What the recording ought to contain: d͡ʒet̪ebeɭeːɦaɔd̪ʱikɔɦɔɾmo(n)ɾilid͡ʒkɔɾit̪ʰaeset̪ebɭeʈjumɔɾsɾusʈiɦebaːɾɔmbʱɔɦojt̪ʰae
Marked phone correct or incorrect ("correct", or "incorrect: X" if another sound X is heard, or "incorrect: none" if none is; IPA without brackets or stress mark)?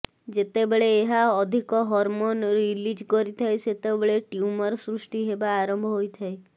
correct